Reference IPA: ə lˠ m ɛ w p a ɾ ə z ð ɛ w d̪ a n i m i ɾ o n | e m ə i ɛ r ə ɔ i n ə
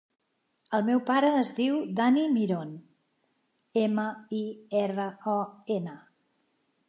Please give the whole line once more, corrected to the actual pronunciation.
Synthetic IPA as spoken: ə lˠ m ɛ w p a ɾ əː z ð i w d̪ a n i m i ɾ o n | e m ə i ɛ r ə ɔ e n ə